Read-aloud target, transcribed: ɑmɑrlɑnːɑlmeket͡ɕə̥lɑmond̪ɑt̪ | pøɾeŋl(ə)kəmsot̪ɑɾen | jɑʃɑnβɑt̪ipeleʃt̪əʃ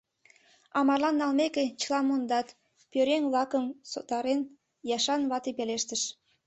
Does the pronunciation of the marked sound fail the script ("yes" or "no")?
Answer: yes